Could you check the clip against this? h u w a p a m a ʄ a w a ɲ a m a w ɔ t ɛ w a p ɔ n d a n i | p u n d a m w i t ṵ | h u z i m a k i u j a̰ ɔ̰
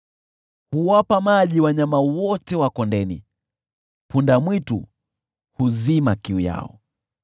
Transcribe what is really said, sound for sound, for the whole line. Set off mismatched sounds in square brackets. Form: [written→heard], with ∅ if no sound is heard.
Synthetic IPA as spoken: h u w a p a m a ʄ [a→i] w a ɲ a m a w ɔ t ɛ w a [p→k] ɔ n d [a→ɛ] n i | p u n d a m w i t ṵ | h u z i m a k i u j a̰ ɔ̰